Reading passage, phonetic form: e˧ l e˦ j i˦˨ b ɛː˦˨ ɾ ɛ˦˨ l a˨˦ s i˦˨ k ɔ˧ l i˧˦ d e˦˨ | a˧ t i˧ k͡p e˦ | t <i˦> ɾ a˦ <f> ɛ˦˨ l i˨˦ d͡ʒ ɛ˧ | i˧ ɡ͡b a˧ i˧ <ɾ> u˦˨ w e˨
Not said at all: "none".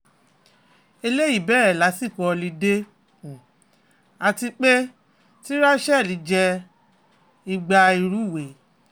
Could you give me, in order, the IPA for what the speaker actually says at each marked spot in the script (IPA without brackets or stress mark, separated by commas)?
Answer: i˦, ʃ, ɾ